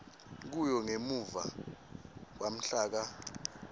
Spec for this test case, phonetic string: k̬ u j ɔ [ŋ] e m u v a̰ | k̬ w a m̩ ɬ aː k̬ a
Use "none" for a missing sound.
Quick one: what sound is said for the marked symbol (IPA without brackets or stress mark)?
ŋ